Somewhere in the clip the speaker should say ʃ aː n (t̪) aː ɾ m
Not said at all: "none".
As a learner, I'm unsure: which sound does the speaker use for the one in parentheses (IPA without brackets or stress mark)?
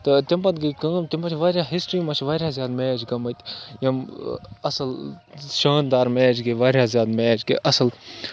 d̪